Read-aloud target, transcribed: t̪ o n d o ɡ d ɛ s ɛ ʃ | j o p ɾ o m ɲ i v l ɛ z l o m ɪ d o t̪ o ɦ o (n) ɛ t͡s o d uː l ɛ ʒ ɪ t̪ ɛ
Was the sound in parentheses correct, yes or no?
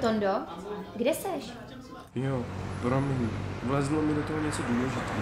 no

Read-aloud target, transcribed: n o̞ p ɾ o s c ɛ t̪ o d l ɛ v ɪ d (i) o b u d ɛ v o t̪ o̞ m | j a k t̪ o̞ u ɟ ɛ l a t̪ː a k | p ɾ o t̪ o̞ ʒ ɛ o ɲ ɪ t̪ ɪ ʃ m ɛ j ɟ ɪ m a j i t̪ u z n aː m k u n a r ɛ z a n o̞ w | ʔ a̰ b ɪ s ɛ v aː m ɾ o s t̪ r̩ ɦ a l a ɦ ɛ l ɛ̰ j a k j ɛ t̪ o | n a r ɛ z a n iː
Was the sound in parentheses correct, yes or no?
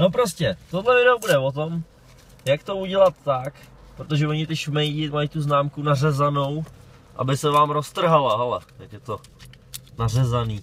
no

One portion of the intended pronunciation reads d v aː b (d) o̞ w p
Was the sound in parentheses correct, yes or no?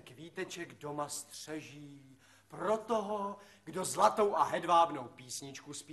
no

